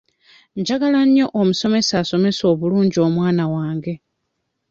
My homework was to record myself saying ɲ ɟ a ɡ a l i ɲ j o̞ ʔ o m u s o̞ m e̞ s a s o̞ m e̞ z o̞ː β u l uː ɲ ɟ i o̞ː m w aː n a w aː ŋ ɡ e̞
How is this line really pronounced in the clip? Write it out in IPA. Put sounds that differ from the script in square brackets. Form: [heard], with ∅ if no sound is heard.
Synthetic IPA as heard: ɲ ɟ a ɡ a l [a] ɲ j o̞ ʔ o m u s o̞ m e̞ s a s o̞ m e̞ [s] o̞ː β u l uː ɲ ɟ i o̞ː m w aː n a w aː ŋ ɡ e̞